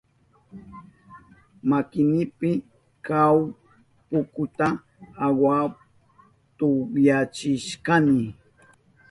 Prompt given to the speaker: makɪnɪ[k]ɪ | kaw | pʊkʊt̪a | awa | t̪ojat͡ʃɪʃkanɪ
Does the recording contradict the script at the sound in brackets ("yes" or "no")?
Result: yes